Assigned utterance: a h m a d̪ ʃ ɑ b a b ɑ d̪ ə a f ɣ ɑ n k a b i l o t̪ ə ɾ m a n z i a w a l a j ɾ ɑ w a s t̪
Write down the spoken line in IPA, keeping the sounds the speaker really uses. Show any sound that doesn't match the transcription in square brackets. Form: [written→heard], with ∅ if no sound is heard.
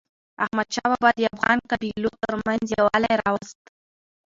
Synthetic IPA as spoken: a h m a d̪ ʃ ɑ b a b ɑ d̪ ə a f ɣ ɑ n k a b i l o t̪ ə ɾ m a n z [i→j] a w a l a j ɾ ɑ w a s t̪